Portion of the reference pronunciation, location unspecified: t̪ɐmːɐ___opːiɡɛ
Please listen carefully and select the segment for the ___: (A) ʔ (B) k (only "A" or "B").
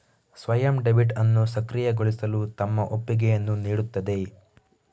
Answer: A